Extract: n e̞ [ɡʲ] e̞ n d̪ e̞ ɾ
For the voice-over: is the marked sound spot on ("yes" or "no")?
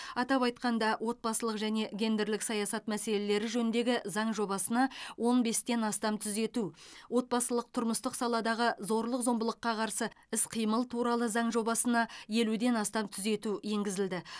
yes